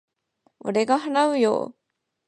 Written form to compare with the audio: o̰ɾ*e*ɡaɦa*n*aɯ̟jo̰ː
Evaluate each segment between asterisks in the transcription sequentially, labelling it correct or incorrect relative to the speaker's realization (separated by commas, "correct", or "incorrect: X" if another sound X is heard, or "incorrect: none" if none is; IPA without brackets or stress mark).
correct, correct